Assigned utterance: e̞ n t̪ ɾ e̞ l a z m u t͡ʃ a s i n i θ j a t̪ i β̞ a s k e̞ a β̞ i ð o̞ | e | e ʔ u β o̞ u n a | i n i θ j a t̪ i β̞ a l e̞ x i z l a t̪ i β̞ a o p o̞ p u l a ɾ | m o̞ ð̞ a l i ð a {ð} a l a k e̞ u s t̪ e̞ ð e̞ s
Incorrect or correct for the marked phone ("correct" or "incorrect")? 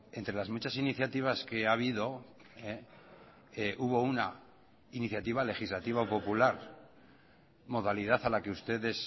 incorrect